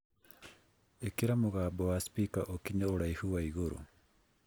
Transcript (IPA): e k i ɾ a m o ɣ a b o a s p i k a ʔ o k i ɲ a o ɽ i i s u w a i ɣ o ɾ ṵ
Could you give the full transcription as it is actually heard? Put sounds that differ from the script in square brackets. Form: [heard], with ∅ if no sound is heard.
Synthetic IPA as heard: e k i ɾ a m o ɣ a b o a s p i k a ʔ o k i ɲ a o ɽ [a] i [h] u w a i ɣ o ɾ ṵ